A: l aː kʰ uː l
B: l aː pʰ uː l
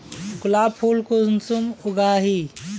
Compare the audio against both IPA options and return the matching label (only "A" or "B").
B